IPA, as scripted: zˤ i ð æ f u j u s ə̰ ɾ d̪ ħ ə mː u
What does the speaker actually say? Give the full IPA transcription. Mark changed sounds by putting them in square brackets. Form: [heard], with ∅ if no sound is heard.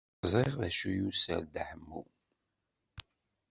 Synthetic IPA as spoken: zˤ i [ʁ] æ [ʃ] u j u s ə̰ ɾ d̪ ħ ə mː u